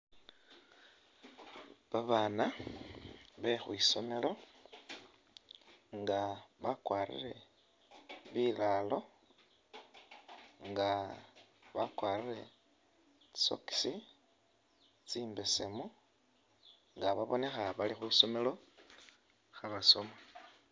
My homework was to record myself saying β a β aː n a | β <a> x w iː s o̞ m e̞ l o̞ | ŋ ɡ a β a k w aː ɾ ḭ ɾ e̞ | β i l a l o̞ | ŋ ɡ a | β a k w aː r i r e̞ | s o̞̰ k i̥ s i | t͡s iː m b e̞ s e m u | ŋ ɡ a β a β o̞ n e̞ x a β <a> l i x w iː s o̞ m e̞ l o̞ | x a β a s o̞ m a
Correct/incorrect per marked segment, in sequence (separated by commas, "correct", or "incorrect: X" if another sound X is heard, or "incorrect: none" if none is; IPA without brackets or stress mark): incorrect: e, correct